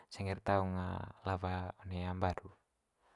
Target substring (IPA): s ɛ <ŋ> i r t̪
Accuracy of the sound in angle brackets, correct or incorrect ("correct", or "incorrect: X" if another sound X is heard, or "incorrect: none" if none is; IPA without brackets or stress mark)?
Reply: correct